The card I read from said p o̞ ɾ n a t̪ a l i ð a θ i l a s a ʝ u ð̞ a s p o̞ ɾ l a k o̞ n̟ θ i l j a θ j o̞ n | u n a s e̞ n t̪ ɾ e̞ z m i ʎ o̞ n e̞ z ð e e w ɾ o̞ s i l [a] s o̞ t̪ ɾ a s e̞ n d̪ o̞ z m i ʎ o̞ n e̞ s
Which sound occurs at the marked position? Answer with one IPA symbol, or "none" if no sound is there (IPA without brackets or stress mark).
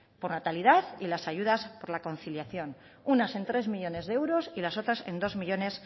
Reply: a